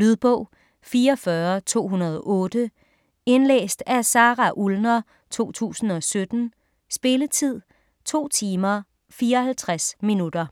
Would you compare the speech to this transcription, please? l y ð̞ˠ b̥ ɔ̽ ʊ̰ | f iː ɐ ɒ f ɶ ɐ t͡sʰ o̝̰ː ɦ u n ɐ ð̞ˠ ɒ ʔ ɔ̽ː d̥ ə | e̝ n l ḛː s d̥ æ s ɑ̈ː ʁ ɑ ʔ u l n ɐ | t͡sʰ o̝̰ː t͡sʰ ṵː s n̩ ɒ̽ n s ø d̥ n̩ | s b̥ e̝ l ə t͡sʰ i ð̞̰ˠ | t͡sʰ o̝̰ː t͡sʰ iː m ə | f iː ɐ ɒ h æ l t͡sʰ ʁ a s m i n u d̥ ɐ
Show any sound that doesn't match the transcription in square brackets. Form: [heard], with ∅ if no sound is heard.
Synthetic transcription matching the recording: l y ð̞ˠ b̥ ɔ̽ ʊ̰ | f iː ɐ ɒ f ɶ ɐ t͡sʰ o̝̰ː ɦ u n ɐ ð̞ˠ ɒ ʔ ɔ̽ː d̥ ə | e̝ n l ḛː s d̥ æ s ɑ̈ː ʁ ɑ ʔ u l n ɐ | t͡sʰ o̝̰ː t͡sʰ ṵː s n̩ ɒ̽ [∅] s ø d̥ n̩ | s b̥ e̝ l ə t͡sʰ i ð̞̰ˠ | t͡sʰ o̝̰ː t͡sʰ iː m [ɐ] | f iː ɐ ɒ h æ l t͡sʰ ʁ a s m i n u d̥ ɐ

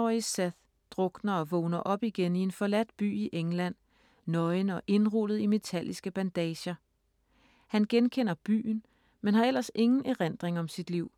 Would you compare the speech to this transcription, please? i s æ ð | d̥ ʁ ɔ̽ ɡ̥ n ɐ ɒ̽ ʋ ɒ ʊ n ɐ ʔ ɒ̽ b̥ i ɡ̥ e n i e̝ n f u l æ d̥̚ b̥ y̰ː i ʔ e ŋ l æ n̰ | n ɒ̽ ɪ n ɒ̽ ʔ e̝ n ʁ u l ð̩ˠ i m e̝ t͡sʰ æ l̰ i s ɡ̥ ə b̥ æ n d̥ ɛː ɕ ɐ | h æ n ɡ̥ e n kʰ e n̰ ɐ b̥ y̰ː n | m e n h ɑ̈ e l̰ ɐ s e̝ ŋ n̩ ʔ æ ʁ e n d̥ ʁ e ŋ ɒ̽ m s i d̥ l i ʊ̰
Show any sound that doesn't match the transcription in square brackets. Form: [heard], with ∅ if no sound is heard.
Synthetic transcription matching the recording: i s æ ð | d̥ ʁ ɔ̽ ɡ̥ n ɐ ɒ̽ ʋ [ɔ] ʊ n ɐ ʔ ɒ̽ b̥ i ɡ̥ e n i e̝ n f [ɒ] l æ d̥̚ b̥ y̰ː i ʔ e ŋ l æ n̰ | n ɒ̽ ɪ n ɒ̽ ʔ e̝ n ʁ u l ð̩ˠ i m e̝ t͡sʰ æ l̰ i s ɡ̥ ə b̥ æ n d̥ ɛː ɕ ɐ | h æ n ɡ̥ e n kʰ e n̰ ɐ b̥ y̰ː n | m e n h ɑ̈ e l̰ ɐ s e̝ ŋ n̩ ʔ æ ʁ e n d̥ ʁ e ŋ ɒ̽ m s i d̥ l i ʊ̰

